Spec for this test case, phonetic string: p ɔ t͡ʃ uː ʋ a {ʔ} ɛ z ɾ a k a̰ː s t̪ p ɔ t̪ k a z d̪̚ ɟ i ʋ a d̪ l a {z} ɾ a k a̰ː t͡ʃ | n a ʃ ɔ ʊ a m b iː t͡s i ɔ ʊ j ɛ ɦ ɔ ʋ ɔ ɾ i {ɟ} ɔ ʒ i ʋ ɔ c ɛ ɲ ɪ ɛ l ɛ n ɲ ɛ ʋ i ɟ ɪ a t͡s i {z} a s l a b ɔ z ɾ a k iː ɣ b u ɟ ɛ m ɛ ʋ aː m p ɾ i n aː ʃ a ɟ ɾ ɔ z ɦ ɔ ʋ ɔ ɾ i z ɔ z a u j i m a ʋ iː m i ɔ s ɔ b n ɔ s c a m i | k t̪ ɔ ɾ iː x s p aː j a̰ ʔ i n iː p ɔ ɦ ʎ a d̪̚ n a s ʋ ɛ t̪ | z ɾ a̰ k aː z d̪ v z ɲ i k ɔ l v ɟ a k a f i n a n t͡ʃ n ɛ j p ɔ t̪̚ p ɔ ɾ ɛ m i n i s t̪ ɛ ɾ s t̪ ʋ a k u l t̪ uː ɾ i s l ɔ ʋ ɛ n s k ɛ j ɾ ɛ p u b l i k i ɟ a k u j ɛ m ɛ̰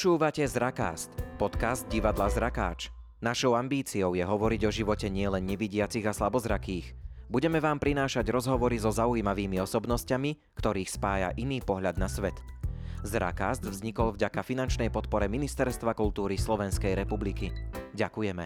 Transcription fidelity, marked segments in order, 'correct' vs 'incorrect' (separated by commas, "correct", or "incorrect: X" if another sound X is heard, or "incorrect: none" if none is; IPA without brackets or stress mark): incorrect: c, correct, correct, incorrect: ɣ